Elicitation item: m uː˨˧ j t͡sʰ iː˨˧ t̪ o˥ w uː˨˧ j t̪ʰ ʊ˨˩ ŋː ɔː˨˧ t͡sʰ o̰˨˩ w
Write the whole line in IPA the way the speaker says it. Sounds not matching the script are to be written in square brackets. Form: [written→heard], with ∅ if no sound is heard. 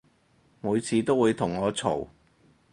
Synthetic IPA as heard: m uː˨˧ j t͡sʰ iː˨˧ t̪ o˥ w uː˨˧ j t̪ʰ ʊ˨˩ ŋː ɔː˨˧ t͡sʰ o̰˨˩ w